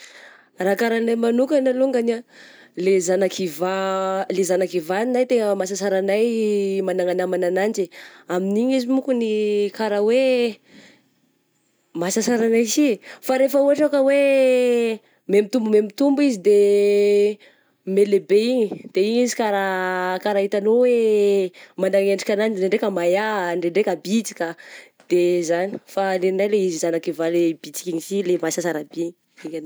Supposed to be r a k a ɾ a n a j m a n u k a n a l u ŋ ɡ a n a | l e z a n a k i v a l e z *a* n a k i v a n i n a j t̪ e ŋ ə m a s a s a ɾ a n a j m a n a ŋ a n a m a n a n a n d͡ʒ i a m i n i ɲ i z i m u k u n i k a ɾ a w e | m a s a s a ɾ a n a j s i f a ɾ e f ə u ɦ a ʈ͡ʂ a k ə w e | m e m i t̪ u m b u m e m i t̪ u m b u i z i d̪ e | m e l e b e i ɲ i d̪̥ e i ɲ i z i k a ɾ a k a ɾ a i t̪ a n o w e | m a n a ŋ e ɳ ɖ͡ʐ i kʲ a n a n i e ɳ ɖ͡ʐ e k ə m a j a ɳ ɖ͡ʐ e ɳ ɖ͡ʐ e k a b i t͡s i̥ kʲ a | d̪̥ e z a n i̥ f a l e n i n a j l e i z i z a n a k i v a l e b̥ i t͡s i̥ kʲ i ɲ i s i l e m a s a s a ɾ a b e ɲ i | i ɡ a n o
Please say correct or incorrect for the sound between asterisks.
correct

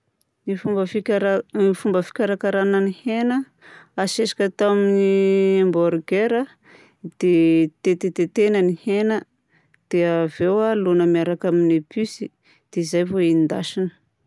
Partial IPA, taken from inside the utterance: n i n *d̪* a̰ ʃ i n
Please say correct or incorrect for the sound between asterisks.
correct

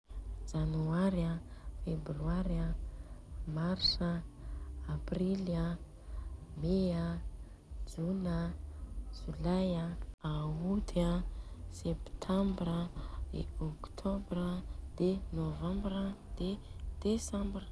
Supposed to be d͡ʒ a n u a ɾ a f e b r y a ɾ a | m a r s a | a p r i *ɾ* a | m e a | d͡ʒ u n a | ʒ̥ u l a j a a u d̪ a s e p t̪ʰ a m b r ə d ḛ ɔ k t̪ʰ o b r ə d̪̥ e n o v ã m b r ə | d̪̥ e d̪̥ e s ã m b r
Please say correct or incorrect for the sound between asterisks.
incorrect: l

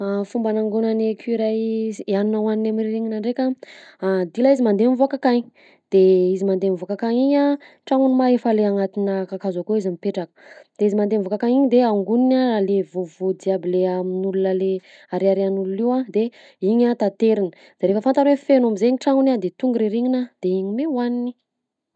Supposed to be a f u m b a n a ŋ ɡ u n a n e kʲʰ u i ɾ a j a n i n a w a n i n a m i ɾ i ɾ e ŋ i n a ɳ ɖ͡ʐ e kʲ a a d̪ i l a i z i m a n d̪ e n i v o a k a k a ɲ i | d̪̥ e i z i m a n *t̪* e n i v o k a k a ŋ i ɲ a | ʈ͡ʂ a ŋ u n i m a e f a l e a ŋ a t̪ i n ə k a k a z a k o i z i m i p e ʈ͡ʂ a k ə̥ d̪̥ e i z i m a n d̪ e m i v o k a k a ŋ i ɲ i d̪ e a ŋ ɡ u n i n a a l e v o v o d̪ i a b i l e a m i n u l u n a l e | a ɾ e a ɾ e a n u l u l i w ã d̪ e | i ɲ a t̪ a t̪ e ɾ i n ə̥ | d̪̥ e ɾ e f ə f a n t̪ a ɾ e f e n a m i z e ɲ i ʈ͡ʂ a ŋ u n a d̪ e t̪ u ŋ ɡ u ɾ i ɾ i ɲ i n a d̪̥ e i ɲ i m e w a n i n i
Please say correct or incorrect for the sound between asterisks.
incorrect: d̪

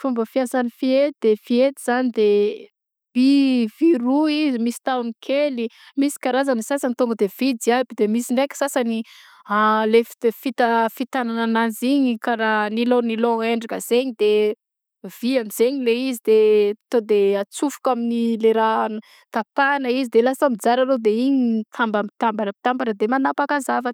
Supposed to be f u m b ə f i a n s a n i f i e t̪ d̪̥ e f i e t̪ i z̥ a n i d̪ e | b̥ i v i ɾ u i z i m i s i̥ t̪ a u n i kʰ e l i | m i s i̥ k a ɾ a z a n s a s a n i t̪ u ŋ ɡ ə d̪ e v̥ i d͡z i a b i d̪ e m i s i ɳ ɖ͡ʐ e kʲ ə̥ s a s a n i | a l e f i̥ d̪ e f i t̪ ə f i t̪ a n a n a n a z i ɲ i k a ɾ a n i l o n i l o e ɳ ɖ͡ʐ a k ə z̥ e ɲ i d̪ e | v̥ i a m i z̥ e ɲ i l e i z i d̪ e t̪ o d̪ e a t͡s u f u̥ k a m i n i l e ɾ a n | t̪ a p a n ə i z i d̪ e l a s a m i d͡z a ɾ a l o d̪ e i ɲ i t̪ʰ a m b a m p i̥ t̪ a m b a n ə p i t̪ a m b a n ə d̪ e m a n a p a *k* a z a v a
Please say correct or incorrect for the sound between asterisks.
correct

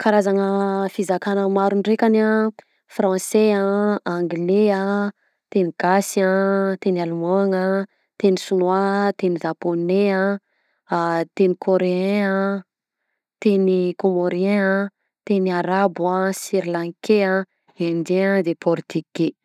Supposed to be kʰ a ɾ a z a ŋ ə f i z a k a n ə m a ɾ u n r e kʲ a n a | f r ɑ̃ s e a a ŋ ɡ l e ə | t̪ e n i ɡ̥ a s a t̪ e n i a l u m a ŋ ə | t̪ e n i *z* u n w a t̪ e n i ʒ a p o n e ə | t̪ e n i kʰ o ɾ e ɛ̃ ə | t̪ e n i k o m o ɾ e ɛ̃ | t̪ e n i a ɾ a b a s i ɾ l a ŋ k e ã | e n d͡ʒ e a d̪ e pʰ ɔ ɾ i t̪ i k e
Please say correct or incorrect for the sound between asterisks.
incorrect: s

